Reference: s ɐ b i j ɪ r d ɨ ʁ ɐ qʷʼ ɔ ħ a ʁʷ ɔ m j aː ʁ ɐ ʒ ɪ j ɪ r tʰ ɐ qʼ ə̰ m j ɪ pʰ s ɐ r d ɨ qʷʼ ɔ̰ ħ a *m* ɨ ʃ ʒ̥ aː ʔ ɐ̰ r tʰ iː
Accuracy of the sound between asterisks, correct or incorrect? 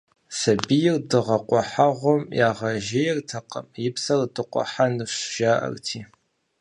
incorrect